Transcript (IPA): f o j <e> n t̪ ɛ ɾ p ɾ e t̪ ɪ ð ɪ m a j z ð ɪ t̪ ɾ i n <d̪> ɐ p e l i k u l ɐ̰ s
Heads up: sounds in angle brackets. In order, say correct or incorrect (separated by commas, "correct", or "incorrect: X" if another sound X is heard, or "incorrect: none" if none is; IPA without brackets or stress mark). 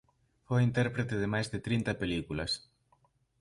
incorrect: i, incorrect: t̪